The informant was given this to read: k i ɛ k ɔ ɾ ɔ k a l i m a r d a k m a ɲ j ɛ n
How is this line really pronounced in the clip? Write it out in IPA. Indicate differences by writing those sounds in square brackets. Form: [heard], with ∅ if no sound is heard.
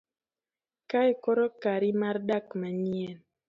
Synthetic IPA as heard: k [a] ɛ k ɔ ɾ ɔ k a [ɾ] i m a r d a k m a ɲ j ɛ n